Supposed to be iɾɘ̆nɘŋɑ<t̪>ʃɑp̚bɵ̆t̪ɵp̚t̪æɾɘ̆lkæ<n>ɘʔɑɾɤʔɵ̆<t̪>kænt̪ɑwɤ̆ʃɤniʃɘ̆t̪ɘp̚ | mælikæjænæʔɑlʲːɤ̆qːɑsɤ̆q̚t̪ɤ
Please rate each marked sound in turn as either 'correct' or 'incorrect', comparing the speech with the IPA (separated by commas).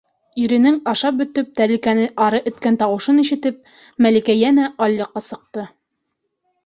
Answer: incorrect, correct, correct